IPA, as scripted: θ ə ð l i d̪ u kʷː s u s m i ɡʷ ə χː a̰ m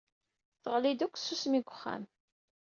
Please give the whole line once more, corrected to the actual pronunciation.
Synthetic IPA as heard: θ ə ʁ l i d̪ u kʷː s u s m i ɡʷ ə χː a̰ m